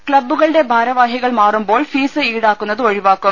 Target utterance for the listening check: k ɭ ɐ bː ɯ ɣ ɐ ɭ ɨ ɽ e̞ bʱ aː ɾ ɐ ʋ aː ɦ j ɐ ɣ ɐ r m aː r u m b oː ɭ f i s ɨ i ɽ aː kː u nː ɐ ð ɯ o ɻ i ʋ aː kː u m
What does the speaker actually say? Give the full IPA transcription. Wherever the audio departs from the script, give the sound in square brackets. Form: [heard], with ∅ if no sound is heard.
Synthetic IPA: k ɭ ɐ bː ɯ ɣ ɐ ɭ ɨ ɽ e̞ bʱ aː ɾ ɐ ʋ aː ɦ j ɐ ɣ ɐ [ɭ] m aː r u m b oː ɭ f [iː] s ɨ [iː] ɽ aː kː u nː ɐ ð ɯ o ɻ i ʋ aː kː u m